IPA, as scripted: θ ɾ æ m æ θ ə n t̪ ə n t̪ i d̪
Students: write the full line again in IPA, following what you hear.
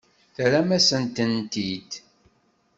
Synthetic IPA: θ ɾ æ m æ s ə n t̪ ə n t̪ i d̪

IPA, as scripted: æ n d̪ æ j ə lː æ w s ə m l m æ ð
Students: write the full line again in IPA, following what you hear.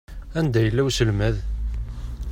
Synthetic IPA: æ n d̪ æ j ə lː æ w s ə l m æ ð

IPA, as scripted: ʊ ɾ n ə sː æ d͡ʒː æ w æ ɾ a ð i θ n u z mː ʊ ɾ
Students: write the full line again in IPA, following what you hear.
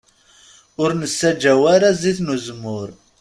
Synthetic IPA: ʊ ɾ n ə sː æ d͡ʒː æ w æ ɾ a z i θ n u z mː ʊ ɾ

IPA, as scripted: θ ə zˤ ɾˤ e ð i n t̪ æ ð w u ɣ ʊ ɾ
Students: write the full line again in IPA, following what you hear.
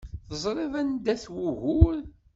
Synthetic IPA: θ ə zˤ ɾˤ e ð æ n d̪ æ θ w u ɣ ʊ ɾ

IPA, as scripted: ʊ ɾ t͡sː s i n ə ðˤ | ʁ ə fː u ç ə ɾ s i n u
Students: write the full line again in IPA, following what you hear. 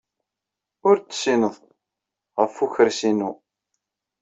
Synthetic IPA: ʊ ɾ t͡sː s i n ə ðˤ | ʁ ə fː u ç ə ɾ s i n u

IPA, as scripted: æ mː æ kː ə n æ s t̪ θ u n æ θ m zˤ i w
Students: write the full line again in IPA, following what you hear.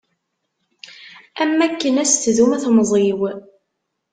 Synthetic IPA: æ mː æ kː ə n æ s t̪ ð u m æ θ m zˤ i w

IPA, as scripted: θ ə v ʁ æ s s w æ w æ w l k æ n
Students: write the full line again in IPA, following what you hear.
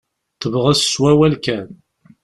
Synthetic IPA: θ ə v ʁ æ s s w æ w æ l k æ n

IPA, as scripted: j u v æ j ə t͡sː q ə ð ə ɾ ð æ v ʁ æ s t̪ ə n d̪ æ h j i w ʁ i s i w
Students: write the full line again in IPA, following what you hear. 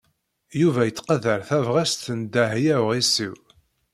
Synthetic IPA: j u v æ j ə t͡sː q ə ð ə ɾ θ æ v ʁ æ s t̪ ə n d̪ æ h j æ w ʁ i s i w

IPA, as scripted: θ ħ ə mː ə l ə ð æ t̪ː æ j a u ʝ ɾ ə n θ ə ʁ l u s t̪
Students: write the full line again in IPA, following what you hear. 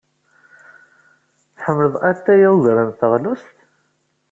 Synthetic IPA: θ ħ ə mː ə l ə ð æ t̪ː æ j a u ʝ ɾ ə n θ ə ʁ l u s t̪

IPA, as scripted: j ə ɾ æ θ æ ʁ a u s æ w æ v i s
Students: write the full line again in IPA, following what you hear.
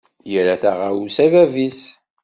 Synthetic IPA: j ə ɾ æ θ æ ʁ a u s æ v æ v i s

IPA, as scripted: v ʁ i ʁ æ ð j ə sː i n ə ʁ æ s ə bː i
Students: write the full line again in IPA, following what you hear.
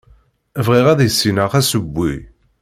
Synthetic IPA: v ʁ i ʁ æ ð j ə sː i n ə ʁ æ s ə bː i

